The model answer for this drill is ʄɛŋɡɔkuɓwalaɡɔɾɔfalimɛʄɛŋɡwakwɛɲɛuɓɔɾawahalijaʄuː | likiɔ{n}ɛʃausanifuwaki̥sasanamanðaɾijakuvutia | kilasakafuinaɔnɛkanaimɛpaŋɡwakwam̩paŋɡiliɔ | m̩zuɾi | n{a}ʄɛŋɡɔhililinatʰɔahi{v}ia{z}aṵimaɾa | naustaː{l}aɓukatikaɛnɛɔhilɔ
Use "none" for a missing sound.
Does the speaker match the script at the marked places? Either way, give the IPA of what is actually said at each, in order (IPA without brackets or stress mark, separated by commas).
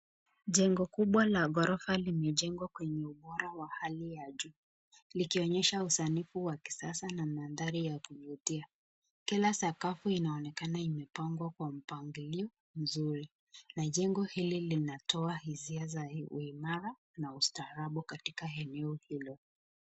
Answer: ɲ, a, z, z, ɾ